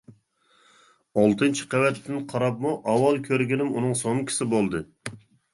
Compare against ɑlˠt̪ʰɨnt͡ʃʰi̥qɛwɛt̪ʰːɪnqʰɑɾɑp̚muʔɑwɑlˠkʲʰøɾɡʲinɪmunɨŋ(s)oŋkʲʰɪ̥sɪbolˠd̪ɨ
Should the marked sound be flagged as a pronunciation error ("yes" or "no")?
no